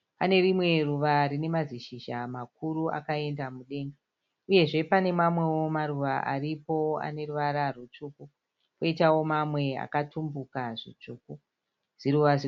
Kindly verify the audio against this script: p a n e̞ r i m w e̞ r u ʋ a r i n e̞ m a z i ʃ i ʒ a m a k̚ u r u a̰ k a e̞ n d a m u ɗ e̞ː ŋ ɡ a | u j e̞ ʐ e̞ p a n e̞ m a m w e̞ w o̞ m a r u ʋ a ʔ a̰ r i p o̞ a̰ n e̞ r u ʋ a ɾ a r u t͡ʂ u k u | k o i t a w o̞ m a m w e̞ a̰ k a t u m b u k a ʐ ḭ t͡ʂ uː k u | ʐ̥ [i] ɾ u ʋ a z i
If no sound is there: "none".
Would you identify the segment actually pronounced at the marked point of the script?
i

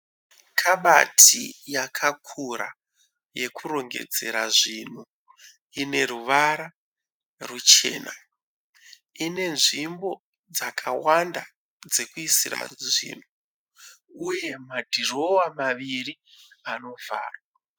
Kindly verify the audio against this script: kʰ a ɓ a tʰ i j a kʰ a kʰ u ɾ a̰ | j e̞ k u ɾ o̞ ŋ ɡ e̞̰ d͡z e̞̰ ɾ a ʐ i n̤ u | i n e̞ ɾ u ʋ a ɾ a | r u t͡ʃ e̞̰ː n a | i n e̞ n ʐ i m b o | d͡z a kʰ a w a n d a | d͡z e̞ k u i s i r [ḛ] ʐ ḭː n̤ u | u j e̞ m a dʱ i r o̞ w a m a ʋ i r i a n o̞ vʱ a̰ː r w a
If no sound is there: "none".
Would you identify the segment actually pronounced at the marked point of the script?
a̰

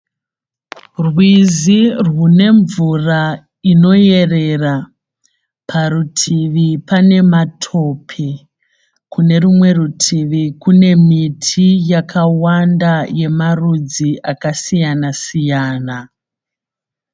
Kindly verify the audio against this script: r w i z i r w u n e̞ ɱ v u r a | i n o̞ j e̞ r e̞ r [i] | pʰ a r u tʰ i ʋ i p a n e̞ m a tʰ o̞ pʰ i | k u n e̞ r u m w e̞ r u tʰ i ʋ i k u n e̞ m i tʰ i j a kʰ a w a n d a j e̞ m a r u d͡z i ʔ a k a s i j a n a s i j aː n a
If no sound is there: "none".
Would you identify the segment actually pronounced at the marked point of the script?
a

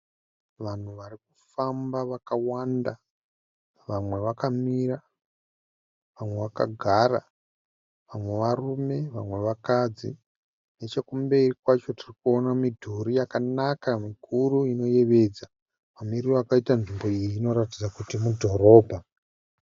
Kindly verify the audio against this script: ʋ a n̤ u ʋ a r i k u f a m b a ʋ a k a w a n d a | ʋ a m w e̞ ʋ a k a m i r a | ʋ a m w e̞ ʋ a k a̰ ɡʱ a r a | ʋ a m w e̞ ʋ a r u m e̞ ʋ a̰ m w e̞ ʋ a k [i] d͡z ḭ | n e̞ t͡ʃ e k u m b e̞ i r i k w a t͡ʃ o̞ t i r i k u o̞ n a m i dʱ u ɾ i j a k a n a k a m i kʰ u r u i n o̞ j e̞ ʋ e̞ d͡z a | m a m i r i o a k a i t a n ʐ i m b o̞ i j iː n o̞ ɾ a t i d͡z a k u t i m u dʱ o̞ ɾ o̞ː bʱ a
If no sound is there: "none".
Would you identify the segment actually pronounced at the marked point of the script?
a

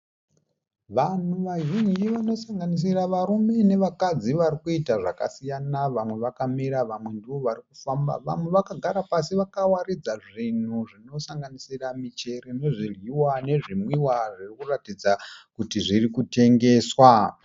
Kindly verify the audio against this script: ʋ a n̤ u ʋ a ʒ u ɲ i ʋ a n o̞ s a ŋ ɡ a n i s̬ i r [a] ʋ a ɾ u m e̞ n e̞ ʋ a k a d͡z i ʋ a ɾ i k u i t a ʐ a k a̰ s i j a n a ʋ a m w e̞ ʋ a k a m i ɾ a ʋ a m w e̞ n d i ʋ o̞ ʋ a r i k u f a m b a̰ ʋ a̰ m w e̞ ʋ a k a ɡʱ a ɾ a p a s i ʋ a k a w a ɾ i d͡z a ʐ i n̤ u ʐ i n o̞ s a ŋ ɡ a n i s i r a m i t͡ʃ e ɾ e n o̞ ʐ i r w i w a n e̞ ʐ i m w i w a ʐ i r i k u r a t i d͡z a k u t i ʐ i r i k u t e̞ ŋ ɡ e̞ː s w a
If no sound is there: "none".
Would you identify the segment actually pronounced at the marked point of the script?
a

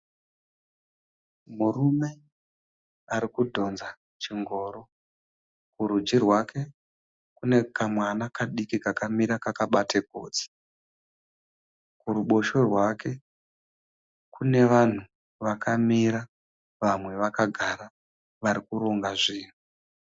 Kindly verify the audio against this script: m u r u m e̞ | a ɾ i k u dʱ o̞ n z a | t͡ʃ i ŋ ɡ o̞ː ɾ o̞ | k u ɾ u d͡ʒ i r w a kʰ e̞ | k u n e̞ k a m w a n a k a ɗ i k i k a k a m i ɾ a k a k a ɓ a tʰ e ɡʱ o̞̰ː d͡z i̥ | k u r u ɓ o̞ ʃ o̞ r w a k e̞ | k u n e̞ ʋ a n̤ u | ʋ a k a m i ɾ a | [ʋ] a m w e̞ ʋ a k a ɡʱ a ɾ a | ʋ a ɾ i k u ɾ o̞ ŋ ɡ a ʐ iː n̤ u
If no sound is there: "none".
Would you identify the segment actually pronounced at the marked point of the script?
ʋ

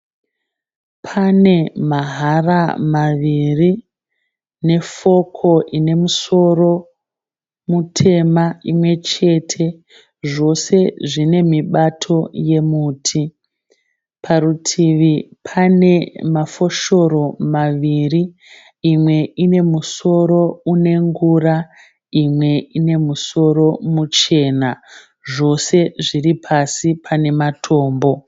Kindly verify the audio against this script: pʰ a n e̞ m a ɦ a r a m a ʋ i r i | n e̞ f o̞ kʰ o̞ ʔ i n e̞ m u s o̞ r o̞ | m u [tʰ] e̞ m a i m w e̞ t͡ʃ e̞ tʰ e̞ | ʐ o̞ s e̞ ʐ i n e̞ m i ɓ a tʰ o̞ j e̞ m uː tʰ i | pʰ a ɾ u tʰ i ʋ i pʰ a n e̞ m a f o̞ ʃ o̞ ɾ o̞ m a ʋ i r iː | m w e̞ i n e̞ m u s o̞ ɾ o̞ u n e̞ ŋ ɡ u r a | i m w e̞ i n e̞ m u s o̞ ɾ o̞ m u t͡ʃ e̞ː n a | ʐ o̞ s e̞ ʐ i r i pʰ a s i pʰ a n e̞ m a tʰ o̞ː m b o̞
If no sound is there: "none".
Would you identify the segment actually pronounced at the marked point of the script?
tʰ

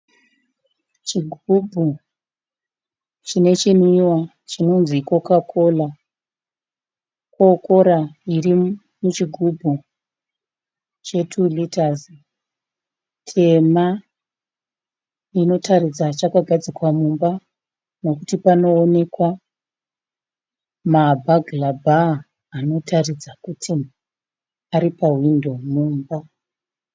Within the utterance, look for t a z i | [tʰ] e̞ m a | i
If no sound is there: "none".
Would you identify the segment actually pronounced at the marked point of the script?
tʰ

